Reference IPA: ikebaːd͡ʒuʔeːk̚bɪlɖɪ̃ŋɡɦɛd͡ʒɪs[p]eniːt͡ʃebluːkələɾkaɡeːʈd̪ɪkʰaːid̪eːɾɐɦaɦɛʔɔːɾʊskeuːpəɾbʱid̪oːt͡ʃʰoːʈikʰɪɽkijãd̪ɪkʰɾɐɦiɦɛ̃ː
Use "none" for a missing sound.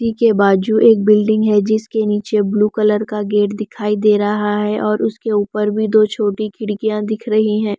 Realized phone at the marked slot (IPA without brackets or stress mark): k